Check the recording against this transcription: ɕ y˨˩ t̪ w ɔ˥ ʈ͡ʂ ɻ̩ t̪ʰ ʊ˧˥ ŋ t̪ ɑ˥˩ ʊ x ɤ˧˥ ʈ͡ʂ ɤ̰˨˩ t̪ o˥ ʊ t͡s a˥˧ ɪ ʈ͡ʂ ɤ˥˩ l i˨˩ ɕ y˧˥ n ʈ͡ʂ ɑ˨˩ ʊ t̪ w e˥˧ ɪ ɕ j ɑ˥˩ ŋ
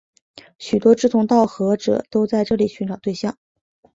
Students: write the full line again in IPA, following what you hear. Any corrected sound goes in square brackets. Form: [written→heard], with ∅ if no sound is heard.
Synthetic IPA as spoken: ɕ y˨˩ t̪ w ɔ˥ ʈ͡ʂ ɻ̩ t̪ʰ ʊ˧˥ ŋ t̪ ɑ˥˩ ʊ x ɤ˧˥ ʈ͡ʂ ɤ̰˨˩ t̪ o˥ ʊ t͡s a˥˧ ɪ ʈ͡ʂ ɤ˥˩ l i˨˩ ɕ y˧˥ n ʈ͡ʂ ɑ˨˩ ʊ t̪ w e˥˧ ɪ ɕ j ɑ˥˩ ŋ